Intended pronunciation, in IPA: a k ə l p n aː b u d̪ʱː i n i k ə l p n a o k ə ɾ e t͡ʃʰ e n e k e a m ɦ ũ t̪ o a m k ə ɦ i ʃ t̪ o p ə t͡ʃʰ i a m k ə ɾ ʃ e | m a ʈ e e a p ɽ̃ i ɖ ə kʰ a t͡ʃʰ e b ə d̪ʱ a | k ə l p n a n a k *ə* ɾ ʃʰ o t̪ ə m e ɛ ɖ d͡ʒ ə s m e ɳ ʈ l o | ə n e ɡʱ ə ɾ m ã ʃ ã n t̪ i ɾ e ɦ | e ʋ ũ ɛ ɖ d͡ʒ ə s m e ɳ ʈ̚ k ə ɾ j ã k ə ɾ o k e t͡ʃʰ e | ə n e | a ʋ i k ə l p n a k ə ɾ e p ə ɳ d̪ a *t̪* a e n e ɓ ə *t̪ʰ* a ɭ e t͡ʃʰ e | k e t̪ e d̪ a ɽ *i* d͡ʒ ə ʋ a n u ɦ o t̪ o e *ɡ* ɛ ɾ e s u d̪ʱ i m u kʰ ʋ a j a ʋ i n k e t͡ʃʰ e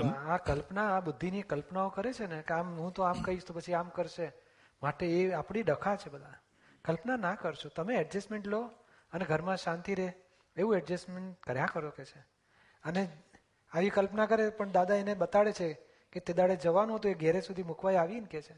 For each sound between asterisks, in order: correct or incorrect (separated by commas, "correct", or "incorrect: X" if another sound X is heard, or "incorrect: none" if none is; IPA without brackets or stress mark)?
correct, incorrect: d̪, incorrect: t̪, incorrect: e, correct